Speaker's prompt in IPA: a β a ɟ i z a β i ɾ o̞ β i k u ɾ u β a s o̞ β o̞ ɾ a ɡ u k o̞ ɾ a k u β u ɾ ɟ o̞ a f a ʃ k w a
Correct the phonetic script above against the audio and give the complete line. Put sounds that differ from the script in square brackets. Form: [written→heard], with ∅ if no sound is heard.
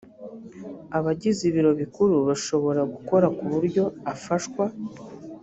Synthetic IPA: a β a ɟ i z [a→i] β i ɾ o̞ β i k u ɾ u β a [s→ʃ] o̞ β o̞ ɾ a ɡ u k o̞ ɾ a k u β u ɾ ɟ o̞ a f a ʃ k w a